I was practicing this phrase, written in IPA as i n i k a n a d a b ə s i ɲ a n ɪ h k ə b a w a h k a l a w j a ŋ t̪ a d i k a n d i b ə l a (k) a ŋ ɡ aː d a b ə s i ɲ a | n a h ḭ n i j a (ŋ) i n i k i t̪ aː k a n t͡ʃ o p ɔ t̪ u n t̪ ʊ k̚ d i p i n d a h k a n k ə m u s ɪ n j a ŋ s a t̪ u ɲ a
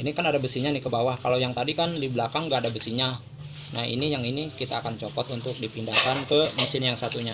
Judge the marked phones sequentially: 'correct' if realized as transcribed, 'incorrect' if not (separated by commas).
correct, correct